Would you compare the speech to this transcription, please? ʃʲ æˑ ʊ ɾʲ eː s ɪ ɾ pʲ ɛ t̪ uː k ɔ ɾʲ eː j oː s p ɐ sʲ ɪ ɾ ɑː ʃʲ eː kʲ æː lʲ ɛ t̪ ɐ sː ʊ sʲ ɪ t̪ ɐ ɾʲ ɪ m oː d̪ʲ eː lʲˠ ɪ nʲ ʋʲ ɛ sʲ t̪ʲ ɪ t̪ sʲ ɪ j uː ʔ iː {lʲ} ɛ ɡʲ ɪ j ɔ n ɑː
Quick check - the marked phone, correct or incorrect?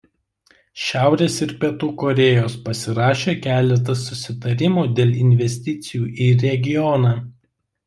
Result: incorrect